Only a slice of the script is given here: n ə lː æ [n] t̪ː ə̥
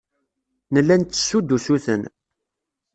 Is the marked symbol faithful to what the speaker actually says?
yes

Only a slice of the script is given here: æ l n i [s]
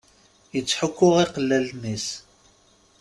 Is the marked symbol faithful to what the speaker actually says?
yes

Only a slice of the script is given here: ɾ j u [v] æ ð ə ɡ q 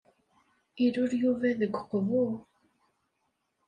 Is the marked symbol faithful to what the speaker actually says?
yes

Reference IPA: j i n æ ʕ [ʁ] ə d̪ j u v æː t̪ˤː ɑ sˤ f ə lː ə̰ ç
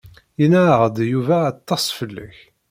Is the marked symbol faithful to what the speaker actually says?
yes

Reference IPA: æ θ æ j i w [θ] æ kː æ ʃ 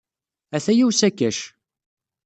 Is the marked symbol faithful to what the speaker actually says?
no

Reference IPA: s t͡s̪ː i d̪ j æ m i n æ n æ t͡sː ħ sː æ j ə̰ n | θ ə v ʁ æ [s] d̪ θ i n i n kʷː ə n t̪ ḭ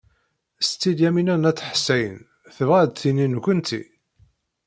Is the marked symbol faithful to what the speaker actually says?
no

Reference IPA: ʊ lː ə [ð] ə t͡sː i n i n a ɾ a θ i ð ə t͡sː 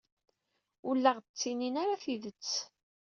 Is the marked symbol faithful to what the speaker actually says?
no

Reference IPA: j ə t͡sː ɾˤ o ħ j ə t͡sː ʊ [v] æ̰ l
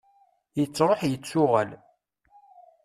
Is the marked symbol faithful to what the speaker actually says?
no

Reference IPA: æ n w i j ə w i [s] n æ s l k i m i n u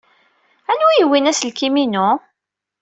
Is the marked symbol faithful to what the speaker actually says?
no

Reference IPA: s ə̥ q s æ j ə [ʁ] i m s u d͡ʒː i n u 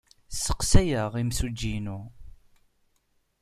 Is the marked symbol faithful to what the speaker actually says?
yes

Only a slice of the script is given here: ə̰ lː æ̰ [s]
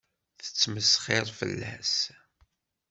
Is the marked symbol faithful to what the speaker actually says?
yes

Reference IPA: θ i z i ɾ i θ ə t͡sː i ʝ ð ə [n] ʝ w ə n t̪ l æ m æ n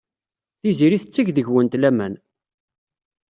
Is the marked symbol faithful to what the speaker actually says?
no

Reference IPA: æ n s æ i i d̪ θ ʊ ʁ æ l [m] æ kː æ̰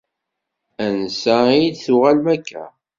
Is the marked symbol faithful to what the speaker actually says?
yes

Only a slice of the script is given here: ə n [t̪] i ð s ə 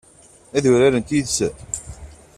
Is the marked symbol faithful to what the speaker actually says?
yes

